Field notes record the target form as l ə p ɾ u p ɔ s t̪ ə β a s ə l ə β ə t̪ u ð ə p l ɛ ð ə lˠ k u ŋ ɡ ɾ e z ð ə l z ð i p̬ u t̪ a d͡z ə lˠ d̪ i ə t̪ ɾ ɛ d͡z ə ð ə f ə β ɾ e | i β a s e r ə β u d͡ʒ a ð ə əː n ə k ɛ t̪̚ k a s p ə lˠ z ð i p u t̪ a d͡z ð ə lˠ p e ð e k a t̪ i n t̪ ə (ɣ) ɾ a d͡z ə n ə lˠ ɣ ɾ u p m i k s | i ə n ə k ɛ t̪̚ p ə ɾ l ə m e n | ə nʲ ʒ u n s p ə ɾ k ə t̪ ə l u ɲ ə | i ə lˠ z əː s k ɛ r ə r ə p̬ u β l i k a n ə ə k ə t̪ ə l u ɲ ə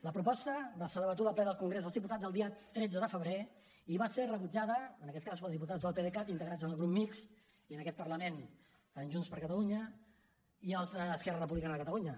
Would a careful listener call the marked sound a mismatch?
no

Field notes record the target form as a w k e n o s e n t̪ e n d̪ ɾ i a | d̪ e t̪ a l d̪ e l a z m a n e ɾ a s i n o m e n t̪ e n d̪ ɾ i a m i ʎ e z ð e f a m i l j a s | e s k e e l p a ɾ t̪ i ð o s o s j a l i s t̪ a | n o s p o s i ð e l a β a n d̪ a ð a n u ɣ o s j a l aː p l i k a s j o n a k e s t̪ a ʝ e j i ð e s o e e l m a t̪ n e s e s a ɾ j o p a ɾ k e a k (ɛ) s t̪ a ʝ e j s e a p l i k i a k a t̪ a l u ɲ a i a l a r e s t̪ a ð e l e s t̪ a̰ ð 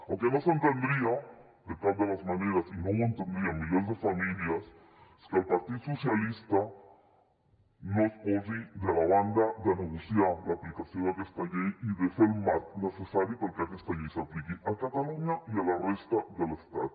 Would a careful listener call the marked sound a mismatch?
yes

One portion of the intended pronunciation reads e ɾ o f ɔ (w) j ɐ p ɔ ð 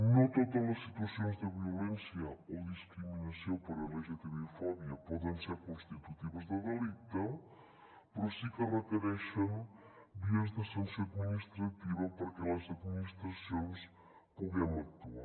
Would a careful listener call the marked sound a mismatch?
yes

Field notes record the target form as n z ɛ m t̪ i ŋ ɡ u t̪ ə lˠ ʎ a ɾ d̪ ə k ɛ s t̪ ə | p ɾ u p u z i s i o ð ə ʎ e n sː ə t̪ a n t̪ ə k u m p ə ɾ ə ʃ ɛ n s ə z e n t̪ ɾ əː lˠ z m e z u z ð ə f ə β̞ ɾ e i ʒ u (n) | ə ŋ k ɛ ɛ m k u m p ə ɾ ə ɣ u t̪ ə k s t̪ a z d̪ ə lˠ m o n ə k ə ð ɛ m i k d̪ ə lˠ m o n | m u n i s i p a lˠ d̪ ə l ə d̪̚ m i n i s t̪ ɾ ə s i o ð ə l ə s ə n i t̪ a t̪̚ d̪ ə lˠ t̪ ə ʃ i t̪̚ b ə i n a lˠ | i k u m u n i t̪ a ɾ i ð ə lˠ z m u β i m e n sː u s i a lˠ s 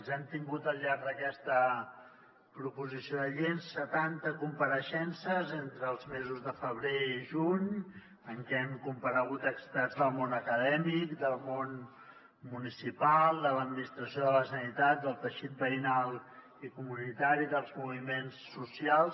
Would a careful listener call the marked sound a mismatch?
yes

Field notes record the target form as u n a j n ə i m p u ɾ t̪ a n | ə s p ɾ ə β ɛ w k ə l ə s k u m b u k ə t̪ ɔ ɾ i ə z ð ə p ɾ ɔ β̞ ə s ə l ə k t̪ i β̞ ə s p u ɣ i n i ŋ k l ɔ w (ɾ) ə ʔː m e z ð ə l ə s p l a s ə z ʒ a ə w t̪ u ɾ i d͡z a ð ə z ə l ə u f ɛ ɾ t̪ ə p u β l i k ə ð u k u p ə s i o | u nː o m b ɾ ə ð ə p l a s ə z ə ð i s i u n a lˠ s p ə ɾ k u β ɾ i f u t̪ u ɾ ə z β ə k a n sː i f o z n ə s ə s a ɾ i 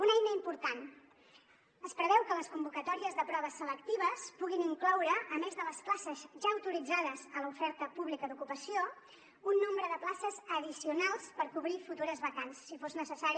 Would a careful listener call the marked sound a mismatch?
no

